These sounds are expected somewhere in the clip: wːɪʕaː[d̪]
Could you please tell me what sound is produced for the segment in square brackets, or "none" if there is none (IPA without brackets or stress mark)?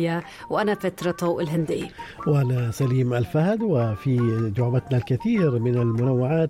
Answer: t̪